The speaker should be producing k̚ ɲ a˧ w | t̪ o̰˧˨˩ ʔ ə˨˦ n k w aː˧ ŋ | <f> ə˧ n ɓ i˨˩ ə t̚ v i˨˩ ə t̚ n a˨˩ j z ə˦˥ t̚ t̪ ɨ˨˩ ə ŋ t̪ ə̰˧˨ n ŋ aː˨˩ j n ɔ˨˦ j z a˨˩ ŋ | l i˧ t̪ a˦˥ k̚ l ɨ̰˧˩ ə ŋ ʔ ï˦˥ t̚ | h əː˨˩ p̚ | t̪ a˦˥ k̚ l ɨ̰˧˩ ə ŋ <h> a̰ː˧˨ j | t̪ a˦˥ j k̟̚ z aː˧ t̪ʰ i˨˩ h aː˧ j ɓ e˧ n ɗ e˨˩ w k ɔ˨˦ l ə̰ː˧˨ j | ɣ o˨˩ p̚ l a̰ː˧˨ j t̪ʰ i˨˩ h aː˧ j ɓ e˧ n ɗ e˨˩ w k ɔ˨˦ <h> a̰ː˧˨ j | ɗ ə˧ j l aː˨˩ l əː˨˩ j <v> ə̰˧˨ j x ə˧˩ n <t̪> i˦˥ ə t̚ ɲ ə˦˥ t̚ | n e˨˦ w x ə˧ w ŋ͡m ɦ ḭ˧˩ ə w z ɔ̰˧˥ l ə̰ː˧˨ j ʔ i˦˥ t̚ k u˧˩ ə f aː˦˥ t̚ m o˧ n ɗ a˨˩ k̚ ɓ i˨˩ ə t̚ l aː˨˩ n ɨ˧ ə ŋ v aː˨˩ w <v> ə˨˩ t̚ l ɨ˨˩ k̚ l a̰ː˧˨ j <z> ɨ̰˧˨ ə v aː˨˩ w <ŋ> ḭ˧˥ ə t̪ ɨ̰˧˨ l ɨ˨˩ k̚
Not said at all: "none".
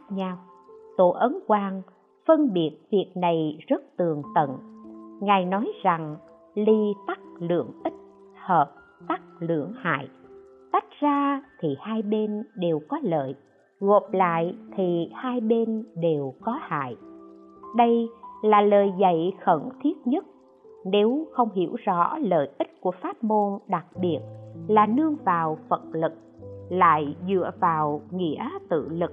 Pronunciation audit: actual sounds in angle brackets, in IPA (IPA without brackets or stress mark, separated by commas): f, h, h, z, t̪ʰ, f, z, ŋ